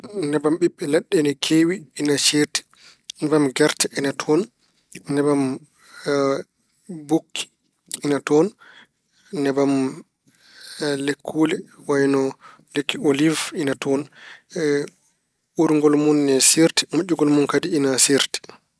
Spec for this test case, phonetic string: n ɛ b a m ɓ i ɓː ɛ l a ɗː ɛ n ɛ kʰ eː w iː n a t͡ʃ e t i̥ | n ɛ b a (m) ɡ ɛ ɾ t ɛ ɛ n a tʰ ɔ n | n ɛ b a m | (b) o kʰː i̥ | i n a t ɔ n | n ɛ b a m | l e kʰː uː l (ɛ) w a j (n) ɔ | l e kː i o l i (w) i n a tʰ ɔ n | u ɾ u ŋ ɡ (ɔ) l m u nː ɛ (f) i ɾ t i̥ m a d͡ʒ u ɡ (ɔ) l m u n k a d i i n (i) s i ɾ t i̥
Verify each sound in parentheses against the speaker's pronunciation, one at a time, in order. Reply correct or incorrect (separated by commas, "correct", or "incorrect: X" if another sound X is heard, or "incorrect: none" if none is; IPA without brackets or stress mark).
correct, correct, correct, correct, incorrect: v, correct, incorrect: s, correct, incorrect: a